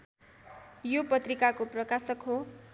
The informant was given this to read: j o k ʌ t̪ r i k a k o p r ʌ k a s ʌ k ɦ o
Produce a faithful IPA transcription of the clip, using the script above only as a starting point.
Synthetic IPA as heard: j o p ʌ t̪ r i k a k o p r ʌ k a s ʌ k ɦ o